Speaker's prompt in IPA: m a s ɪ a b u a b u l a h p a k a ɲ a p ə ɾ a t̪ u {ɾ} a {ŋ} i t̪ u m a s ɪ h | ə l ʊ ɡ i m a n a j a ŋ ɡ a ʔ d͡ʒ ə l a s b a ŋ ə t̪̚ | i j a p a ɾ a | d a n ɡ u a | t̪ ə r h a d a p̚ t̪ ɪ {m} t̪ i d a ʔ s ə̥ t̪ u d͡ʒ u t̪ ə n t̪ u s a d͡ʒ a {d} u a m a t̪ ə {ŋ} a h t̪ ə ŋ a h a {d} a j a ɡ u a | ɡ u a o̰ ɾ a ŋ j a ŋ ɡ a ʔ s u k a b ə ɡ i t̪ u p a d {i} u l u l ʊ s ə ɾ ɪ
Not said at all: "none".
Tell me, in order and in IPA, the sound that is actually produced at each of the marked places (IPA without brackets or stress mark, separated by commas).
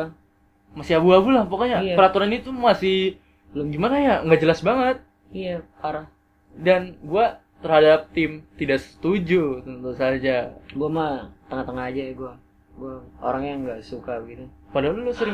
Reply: ɾ, n, m, ɡ, ŋ, d͡ʒ, a